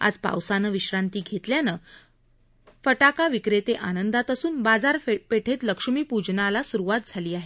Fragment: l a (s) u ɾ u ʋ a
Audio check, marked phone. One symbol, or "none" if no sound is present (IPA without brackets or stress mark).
s